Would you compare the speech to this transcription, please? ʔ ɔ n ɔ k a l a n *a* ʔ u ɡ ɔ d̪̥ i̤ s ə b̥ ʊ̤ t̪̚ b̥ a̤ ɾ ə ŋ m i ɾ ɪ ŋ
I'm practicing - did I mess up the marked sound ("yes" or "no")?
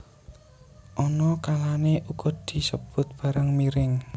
yes